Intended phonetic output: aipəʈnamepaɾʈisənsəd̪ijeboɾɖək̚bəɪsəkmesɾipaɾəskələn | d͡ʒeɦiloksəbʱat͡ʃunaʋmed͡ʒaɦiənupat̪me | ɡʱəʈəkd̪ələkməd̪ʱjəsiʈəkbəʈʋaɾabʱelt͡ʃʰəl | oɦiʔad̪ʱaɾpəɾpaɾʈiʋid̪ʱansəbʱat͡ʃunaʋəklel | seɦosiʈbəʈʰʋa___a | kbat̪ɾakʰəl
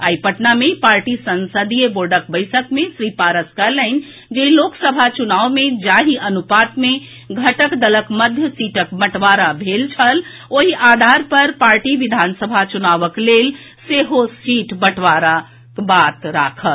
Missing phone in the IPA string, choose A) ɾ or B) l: A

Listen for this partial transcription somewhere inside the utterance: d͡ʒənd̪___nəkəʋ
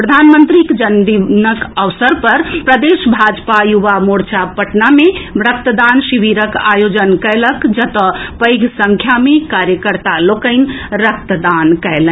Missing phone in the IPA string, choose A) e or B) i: B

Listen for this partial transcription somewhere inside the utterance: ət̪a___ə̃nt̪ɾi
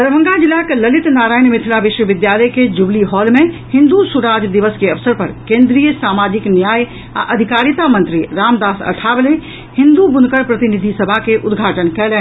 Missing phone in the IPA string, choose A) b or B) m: B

